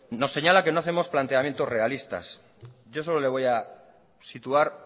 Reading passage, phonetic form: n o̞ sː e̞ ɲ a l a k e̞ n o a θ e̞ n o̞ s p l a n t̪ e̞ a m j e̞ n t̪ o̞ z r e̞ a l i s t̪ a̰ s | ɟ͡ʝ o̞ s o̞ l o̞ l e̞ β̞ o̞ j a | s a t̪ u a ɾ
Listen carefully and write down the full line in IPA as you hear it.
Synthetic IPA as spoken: n o̞ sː e̞ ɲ a l a k e̞ n o a θ e̞ m o̞ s p l a n t̪ e̞ a m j e̞ n t̪ o̞ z r e̞ a l i s t̪ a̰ s | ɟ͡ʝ o̞ s o̞ l o̞ l e̞ β̞ o̞ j a | s i t̪ u a ɾ